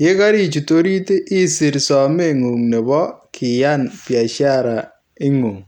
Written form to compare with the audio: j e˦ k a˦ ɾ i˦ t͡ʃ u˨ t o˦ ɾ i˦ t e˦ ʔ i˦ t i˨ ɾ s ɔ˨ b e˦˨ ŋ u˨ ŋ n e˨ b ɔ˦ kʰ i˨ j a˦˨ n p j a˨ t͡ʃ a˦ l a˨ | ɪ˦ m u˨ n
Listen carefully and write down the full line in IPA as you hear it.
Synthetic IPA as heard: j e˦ k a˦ ɾ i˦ t͡ʃ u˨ t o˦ ɾ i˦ t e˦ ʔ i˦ s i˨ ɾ s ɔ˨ m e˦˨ ŋ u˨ ŋ n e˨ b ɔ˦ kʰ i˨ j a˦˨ n p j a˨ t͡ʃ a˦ ɾ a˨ | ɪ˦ ŋ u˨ ŋ

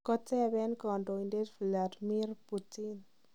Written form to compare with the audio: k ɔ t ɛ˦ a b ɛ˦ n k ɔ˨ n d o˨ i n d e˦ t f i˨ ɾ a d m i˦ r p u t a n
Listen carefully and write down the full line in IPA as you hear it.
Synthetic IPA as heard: k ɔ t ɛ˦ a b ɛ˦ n k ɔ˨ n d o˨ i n d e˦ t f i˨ l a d m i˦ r p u t i n

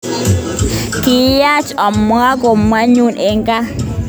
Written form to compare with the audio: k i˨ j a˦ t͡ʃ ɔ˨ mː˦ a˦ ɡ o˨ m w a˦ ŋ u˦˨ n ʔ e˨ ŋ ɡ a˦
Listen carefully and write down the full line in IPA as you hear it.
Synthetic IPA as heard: k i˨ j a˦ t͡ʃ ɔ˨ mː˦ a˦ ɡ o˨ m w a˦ ɲ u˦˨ n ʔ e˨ ŋ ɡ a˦

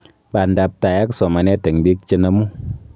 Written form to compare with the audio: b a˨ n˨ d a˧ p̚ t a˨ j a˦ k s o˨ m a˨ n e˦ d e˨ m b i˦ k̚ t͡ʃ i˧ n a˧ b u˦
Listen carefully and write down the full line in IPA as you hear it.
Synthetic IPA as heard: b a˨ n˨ d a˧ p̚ t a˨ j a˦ k s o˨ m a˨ n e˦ t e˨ ŋ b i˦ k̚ t͡ʃ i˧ n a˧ m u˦

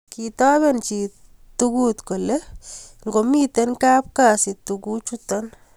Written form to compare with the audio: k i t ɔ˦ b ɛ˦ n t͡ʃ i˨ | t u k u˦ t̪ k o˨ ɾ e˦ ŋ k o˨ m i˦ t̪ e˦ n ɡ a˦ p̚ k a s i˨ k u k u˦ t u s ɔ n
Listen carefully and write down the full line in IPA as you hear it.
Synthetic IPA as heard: k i t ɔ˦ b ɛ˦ n t͡ʃ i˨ | t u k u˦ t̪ k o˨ l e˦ ŋ ɡ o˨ m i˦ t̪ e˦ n k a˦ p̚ k a s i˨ t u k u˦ t͡ʃ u t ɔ n

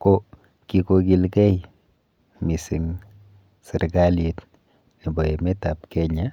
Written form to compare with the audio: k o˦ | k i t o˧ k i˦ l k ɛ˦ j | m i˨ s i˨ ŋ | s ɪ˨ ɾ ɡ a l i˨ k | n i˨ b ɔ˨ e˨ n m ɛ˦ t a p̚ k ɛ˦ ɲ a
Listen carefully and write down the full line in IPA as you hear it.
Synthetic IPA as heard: k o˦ | k i k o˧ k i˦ l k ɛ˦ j | m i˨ s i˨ ŋ | s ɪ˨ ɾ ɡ a l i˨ t | n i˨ b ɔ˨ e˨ m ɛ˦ t a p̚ k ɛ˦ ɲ a

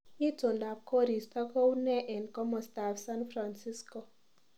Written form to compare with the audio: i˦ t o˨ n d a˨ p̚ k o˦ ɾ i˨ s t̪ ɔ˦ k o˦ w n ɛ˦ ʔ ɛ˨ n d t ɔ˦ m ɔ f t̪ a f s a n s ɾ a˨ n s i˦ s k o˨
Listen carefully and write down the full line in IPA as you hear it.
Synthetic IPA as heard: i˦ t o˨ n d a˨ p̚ k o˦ ɾ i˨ s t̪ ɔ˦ k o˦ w n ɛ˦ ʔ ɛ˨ n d k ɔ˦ m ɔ s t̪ a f s a n f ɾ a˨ n s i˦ s k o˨

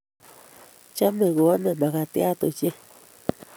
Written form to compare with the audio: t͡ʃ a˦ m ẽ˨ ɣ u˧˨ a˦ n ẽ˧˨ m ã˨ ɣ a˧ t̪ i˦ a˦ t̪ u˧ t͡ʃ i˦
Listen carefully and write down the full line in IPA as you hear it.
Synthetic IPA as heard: t͡ʃ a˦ m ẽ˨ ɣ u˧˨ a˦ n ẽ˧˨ m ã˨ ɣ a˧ t̪ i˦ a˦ t̪ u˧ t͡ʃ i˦

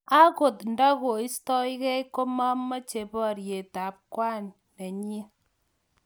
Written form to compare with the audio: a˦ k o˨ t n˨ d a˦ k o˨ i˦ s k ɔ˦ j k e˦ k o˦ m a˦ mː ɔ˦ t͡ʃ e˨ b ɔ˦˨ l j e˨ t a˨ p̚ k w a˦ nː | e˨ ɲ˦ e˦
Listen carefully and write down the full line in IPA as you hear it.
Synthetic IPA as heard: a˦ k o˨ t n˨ d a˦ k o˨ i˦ s t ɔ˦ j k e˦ k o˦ m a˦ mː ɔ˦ t͡ʃ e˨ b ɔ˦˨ ɾ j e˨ t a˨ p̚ k w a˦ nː | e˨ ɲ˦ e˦

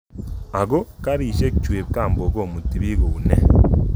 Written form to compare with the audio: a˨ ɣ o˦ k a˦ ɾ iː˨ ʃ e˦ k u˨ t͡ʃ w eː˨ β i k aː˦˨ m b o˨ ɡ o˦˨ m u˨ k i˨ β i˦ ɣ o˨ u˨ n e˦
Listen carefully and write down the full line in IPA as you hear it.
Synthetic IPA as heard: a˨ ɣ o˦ k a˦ ɾ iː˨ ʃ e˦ k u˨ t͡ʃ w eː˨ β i k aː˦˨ m b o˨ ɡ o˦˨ m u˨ t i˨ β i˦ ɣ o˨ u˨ n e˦

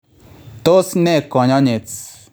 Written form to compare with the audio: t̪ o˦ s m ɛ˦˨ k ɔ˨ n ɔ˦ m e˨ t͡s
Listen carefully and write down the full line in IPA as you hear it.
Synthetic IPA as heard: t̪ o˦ s n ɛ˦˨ k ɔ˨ ɲ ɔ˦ ɲ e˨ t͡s

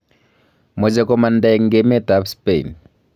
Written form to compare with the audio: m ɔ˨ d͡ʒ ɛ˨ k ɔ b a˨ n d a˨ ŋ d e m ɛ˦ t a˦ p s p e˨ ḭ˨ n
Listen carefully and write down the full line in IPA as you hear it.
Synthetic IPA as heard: m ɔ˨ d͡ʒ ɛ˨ k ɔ m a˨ n d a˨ ŋ ɡ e m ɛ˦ t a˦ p s p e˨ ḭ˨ n

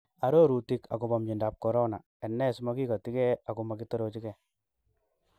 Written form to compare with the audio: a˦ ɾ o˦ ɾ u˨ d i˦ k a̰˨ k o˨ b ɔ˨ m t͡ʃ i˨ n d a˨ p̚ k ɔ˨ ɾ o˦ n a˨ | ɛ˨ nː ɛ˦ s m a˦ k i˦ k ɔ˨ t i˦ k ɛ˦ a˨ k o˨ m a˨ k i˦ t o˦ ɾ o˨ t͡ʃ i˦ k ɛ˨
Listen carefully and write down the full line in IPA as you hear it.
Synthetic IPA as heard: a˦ ɾ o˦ ɾ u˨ t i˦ k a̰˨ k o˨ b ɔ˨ m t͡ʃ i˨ n d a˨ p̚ k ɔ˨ ɾ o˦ n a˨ | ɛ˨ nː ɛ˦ s m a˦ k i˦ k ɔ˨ t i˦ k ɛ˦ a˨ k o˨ m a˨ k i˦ t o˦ ɾ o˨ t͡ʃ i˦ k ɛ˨

